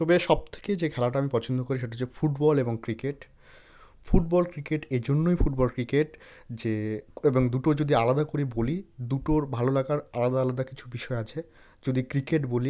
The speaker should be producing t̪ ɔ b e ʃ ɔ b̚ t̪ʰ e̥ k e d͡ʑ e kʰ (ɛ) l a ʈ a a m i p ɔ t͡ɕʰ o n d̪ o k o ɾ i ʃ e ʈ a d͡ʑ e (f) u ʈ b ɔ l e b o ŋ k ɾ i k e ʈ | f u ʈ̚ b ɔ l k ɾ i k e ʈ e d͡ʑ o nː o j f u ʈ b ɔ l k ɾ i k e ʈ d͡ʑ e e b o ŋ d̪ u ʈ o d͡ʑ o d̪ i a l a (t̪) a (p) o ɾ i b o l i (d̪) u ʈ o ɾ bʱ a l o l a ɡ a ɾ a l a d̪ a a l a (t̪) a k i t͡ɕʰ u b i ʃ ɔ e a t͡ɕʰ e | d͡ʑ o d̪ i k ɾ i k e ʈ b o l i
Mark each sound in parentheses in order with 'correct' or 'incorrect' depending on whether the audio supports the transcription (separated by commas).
correct, correct, incorrect, incorrect, correct, incorrect